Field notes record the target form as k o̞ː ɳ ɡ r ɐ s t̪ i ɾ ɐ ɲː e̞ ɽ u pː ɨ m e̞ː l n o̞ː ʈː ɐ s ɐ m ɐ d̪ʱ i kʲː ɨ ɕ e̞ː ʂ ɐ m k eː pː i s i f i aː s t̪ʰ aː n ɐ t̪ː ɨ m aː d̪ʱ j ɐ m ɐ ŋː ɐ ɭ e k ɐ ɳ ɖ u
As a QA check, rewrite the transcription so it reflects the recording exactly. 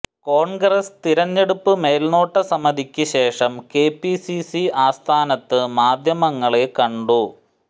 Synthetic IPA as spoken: k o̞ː ɳ ɡ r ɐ s t̪ i ɾ ɐ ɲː e̞ ɽ u pː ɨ m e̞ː l n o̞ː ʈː ɐ s ɐ m ɐ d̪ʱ i kʲː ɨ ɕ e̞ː ʂ ɐ m k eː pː i s i s i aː s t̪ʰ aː n ɐ t̪ː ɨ m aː d̪ʱ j ɐ m ɐ ŋː ɐ ɭ e k ɐ ɳ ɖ u